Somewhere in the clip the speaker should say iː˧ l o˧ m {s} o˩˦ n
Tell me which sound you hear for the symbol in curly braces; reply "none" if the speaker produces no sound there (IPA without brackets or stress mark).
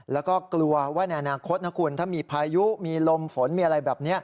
f